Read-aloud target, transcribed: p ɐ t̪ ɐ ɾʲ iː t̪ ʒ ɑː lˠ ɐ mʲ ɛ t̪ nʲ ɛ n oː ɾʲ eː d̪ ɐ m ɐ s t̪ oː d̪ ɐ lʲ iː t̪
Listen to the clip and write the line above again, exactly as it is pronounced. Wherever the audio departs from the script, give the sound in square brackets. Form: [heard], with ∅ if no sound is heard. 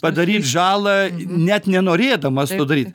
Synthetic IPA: p ɐ [d̪] ɐ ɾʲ iː t̪ ʒ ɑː lˠ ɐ [nʲ] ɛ t̪ nʲ ɛ n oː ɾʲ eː d̪ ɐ m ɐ s t̪ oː d̪ ɐ [ɾʲ] iː t̪